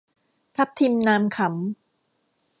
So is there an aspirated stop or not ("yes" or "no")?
yes